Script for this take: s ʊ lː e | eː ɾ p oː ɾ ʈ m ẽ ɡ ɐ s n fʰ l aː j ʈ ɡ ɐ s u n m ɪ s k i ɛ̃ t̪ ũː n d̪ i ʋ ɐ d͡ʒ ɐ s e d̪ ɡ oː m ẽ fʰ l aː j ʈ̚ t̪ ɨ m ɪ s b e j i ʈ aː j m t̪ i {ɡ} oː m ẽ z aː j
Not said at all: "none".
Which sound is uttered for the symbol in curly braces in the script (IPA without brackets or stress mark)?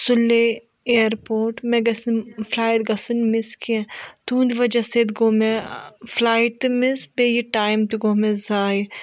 ɡ